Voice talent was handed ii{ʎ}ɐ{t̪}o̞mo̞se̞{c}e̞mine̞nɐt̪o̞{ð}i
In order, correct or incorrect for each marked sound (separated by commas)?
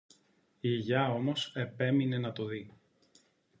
incorrect, incorrect, incorrect, correct